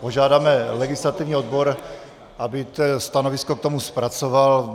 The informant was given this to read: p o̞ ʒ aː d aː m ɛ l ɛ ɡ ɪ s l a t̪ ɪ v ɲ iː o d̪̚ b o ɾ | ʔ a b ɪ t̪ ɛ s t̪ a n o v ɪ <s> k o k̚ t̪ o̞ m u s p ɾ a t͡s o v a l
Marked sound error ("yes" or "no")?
no